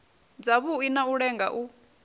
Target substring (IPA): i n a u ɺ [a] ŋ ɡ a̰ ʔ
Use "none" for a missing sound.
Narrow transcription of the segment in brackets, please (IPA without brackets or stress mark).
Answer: ɛ